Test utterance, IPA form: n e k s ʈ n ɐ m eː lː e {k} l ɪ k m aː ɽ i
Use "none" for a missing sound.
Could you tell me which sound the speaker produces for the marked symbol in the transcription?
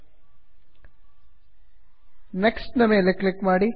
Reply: k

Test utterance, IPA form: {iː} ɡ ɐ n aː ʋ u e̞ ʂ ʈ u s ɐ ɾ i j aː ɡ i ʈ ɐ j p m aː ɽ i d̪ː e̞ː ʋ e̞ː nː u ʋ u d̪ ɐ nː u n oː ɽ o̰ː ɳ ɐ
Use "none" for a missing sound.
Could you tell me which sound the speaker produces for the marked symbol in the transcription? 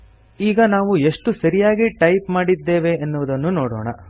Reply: iː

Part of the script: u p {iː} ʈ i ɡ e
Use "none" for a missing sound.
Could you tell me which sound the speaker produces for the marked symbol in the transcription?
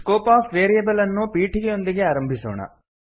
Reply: iː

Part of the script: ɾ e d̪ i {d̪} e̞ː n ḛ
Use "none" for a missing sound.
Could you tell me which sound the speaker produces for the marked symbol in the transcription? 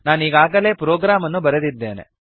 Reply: d̪ː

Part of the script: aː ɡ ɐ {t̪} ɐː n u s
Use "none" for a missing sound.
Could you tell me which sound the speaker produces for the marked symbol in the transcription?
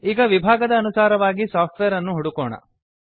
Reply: d̪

